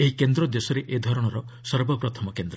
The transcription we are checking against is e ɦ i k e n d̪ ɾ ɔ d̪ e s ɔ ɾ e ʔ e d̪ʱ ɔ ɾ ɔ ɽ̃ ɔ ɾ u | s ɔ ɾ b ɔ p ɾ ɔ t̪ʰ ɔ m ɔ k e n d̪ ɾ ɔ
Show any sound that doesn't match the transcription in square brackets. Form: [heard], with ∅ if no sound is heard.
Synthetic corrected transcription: e ɦ i k e n d̪ ɾ ɔ d̪ e s ɔ ɾ e ʔ e d̪ʱ ɔ ɾ ɔ ɽ̃ ɔ ɾ [ɔ] | s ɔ ɾ b ɔ p ɾ ɔ t̪ʰ ɔ m ɔ k e n d̪ ɾ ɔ